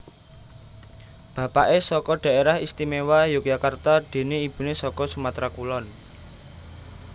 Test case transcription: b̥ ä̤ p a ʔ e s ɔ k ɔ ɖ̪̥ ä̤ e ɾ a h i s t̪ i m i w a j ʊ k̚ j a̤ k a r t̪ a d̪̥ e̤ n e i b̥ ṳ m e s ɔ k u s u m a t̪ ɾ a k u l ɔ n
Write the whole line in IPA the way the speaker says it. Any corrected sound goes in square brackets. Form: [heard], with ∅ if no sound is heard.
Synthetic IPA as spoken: b̥ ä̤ p a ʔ e s ɔ k ɔ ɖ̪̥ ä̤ e ɾ a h i s t̪ i m [e] w a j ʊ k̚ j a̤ k a r t̪ a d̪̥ e̤ n e i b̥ ṳ [n] e s ɔ k [ɔ] s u m a t̪ ɾ a k u l ɔ n